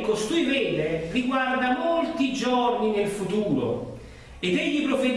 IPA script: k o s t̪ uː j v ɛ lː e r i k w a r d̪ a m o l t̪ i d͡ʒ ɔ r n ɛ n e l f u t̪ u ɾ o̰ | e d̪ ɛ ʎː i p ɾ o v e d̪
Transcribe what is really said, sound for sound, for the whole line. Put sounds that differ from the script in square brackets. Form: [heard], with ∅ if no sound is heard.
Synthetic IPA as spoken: k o s t̪ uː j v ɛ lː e r i [ɡ] w a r d̪ a m o l t̪ i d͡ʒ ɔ r n [i] n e l f u t̪ [uː] ɾ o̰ | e d̪ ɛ ʎː i p ɾ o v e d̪